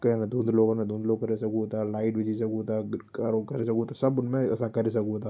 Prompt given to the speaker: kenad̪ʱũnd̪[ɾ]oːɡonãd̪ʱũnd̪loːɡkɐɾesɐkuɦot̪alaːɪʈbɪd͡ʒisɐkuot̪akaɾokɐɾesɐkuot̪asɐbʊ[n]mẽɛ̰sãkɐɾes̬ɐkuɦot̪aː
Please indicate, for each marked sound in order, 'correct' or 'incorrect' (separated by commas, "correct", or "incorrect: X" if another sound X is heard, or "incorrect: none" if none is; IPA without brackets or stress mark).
incorrect: l, correct